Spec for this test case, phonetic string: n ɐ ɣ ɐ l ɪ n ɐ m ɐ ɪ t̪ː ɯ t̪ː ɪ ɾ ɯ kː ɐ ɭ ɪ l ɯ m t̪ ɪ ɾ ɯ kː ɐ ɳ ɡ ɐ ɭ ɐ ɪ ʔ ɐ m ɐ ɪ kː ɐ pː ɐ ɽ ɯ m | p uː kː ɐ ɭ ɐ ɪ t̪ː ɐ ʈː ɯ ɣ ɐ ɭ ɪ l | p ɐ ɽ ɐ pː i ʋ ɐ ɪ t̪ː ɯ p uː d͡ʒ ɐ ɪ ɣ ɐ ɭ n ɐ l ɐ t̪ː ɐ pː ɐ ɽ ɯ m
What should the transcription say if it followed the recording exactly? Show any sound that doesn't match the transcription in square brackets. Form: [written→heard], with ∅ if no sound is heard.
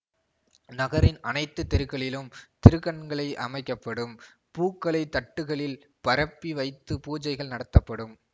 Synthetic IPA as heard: n ɐ ɣ ɐ [l→ɾ] ɪ n ɐ [m→n] ɐ ɪ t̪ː ɯ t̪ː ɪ ɾ ɯ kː ɐ ɭ ɪ l ɯ m t̪ ɪ ɾ ɯ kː ɐ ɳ ɡ ɐ ɭ ɐ ɪ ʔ ɐ m ɐ ɪ kː ɐ pː ɐ ɽ ɯ m | p uː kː ɐ ɭ ɐ ɪ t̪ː ɐ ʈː ɯ ɣ ɐ ɭ ɪ l | p ɐ [ɽ→ɾ] ɐ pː i ʋ ɐ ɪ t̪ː ɯ p uː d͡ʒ ɐ ɪ ɣ ɐ ɭ n ɐ [l→ɽ] ɐ t̪ː ɐ pː ɐ ɽ ɯ m